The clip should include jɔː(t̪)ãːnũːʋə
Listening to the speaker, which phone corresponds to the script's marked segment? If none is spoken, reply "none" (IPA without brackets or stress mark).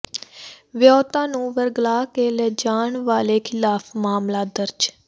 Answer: t̪